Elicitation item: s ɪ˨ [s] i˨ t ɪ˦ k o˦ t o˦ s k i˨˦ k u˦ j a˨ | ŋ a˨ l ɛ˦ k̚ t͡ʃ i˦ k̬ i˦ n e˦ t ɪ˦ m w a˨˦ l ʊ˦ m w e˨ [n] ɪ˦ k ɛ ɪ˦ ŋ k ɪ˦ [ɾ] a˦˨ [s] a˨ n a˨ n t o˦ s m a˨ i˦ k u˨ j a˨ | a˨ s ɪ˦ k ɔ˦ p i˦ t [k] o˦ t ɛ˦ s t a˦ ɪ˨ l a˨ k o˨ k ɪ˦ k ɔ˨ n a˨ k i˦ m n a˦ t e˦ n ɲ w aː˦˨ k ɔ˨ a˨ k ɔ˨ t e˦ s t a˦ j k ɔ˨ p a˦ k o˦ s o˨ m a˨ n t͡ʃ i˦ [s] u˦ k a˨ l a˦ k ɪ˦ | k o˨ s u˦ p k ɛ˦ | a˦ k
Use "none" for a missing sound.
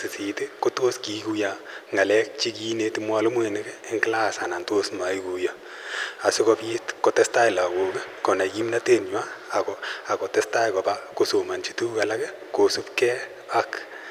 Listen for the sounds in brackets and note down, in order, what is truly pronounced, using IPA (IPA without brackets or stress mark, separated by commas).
s, n, l, s, k, t